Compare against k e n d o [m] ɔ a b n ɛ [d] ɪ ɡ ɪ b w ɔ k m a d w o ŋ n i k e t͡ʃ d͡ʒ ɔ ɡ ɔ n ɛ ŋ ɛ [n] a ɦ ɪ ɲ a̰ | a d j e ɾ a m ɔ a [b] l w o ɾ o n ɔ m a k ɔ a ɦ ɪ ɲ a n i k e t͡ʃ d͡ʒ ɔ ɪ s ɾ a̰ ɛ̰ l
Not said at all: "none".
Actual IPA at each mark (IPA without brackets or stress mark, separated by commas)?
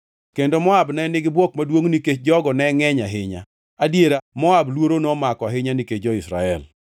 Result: m, n, ɲ, b